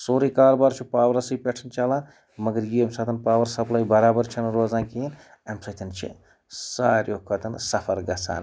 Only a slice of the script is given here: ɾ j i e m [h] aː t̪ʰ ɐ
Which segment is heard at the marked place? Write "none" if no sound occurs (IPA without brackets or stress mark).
s